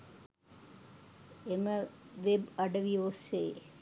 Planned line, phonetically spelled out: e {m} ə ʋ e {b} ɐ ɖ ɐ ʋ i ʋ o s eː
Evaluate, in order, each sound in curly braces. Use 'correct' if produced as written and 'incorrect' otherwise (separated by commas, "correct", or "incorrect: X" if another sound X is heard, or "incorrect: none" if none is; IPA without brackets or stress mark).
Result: correct, correct